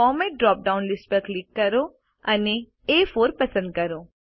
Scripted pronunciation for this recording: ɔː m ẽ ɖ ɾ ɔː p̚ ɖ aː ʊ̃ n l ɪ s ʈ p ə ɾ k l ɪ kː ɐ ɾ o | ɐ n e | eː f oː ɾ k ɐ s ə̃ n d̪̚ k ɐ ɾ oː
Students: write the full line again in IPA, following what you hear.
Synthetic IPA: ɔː m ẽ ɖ ɾ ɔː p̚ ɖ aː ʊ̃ n l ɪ s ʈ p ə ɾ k l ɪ kː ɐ ɾ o | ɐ n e | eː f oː ɾ p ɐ s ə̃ n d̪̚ k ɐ ɾ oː